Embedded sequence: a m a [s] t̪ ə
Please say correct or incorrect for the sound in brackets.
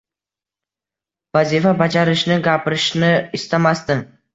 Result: correct